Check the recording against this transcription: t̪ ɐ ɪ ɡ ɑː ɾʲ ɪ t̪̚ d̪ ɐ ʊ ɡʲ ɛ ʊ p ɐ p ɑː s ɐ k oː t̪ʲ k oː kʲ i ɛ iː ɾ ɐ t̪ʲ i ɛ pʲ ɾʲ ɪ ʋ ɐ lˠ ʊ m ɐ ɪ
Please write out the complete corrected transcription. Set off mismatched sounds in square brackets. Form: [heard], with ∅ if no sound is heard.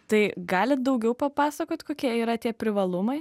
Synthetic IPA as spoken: t̪ ɐ ɪ ɡ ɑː [lʲ] ɪ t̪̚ d̪ ɐ ʊ ɡʲ ɛ ʊ p ɐ p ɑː s ɐ k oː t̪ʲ k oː kʲ i ɛ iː ɾ ɐ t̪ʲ i ɛ pʲ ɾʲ ɪ ʋ ɐ lˠ ʊ m ɐ ɪ